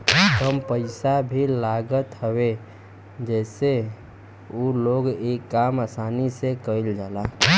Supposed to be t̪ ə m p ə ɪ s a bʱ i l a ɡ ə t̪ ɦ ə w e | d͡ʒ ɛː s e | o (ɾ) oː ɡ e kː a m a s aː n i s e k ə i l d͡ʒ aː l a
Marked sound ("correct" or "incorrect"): incorrect